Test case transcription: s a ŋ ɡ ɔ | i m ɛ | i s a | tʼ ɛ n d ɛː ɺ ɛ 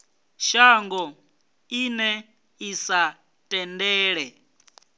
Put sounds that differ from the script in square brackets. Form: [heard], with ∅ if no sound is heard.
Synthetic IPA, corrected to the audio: [ʃ] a ŋ ɡ ɔ | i [n] ɛ | i s a | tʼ ɛ n d ɛː ɺ ɛ